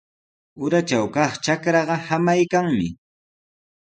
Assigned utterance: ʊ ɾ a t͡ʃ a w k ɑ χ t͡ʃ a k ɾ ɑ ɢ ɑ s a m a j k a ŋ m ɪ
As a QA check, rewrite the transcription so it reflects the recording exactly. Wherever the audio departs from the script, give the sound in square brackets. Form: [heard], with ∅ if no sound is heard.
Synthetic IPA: ʊ ɾ a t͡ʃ a w k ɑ χ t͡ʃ a k ɾ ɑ ɢ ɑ [h] a m a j k a ŋ m ɪ